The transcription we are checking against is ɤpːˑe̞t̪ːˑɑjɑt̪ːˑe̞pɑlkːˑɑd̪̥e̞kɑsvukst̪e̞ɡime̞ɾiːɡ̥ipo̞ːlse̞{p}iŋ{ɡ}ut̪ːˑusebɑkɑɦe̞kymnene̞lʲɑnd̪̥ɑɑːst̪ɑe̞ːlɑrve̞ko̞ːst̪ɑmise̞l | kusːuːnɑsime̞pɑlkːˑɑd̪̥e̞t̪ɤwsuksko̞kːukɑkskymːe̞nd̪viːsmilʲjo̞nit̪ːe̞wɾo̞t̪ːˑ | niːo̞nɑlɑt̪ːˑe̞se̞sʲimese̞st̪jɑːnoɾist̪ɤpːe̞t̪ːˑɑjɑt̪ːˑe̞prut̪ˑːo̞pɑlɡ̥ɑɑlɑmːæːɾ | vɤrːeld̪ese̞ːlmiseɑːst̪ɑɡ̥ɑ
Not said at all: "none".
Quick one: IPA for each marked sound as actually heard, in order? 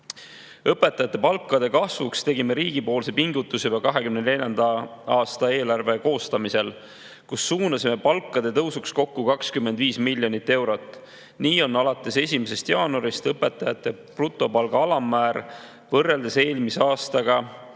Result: p, ɡ

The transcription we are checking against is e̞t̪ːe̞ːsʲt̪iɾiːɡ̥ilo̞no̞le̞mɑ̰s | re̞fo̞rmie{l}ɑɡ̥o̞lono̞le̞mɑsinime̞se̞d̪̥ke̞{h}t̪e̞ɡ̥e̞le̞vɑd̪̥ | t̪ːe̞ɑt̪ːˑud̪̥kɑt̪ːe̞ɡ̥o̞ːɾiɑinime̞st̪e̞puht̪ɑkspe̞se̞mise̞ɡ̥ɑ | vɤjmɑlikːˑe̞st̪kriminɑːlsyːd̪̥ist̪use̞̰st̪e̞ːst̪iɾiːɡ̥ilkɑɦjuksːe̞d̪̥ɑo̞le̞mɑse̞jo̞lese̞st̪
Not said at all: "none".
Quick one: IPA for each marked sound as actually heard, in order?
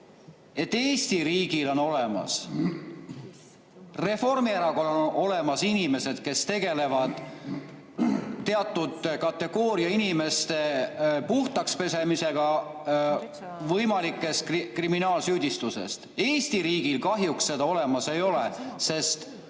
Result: ɾ, s

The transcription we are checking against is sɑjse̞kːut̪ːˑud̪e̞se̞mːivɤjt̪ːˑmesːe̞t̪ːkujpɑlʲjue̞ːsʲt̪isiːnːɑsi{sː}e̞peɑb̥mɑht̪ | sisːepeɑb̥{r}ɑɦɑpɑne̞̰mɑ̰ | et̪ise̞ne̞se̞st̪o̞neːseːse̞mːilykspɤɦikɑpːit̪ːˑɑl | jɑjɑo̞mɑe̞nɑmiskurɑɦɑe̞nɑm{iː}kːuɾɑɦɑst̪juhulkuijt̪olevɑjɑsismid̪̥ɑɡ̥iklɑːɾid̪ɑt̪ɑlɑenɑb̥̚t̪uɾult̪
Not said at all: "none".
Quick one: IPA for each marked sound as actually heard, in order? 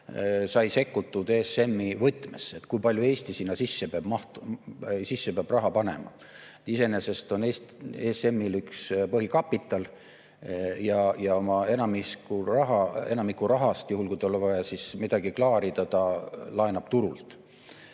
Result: sː, r, i

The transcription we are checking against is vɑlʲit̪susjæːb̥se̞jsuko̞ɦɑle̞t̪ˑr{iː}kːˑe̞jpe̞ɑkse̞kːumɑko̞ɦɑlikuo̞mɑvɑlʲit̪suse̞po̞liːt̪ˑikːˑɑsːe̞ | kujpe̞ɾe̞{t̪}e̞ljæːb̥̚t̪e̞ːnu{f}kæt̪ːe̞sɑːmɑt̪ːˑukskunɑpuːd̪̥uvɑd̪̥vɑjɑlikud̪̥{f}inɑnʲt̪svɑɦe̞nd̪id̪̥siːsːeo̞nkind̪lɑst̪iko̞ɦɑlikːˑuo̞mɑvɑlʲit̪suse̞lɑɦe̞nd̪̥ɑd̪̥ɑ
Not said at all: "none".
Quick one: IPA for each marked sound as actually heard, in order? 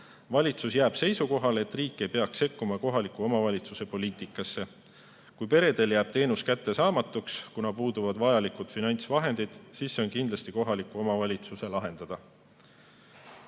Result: iː, d̪, s, f

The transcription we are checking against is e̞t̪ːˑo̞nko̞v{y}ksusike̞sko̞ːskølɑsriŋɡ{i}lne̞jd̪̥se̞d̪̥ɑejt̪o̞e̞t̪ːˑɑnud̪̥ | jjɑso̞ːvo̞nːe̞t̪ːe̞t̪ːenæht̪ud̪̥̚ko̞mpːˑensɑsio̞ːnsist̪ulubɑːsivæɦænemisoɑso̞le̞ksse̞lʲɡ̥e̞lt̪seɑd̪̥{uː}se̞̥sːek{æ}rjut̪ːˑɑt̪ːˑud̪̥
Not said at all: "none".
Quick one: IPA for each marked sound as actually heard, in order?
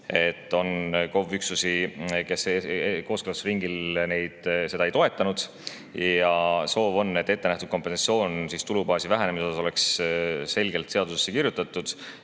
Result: y, i, u, i

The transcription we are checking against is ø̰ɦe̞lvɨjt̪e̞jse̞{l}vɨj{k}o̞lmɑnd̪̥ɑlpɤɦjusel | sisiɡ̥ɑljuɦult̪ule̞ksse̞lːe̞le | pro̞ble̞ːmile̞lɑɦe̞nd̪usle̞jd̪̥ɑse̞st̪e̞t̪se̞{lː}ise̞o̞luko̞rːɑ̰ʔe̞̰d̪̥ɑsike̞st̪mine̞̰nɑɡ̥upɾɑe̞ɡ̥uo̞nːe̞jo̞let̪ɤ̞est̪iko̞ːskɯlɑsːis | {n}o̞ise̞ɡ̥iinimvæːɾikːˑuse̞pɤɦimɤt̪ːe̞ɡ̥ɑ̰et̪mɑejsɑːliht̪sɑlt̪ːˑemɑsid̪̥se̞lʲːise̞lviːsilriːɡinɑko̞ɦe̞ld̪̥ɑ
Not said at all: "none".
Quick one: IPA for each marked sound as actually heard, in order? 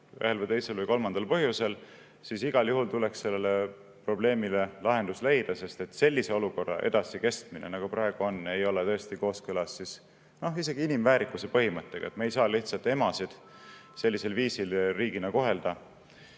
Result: l, k, lː, n

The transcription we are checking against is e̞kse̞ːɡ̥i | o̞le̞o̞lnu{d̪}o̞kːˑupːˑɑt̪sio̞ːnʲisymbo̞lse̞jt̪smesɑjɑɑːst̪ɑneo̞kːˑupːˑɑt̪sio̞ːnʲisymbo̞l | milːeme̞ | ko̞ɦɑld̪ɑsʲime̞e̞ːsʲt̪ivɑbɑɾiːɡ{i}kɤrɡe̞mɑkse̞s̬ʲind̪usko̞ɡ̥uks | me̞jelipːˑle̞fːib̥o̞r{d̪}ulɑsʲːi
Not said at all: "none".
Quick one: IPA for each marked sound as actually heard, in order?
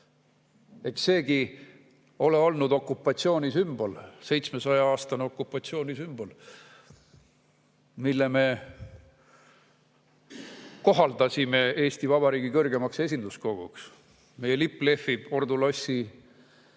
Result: d̪, i, d̪

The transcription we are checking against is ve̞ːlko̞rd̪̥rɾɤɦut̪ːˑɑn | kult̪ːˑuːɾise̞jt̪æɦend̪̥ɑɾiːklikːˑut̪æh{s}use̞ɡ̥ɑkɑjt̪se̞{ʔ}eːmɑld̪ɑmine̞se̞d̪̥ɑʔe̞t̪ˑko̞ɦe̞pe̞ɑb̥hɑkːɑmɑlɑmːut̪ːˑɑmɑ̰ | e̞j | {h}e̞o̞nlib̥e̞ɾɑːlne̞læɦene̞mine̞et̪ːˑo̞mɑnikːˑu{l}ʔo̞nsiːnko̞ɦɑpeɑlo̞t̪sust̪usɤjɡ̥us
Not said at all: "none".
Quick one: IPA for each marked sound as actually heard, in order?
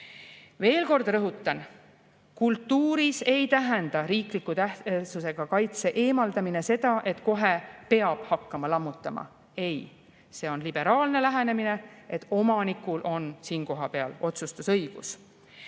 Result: s, ʔ, s, l

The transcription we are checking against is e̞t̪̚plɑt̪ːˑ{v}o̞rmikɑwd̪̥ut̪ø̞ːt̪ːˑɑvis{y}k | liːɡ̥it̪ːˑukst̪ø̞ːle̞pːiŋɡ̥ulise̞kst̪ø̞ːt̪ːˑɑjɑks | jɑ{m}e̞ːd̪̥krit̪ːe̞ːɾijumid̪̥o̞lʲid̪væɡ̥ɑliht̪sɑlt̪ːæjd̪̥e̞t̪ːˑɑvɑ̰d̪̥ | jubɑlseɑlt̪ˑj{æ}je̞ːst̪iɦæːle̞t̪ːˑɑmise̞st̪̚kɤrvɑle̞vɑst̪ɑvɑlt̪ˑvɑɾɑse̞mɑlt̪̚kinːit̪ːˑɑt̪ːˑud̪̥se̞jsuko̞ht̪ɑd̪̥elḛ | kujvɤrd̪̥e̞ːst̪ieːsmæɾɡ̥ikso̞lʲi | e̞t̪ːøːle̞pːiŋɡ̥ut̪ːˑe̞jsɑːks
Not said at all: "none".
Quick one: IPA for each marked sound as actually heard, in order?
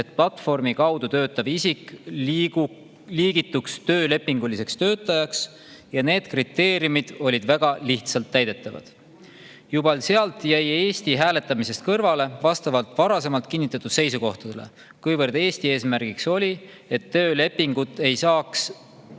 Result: f, i, n, æ

